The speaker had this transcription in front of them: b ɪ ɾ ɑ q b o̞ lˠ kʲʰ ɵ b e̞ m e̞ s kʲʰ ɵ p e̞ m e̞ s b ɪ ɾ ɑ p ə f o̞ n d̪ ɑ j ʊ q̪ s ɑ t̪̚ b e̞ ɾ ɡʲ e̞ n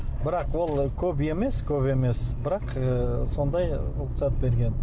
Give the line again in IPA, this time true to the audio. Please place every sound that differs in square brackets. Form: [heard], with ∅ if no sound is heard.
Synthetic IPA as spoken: b ɪ ɾ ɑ q [w] o̞ lˠ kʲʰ ɵ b e̞ m e̞ s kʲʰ ɵ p e̞ m e̞ s b ɪ ɾ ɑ [q] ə [s] o̞ n d̪ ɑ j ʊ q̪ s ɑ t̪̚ b e̞ ɾ ɡʲ e̞ n